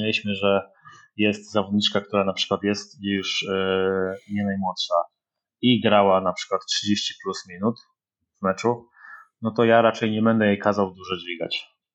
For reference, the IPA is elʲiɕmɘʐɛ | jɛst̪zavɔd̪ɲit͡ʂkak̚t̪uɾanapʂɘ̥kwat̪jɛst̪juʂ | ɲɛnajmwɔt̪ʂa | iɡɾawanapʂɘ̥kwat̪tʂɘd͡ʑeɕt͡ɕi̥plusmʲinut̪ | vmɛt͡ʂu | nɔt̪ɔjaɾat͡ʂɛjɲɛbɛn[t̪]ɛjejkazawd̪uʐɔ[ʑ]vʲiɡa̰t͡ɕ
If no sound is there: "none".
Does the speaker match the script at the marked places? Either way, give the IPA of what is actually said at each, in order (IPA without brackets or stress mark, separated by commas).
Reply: d̪, d͡ʑ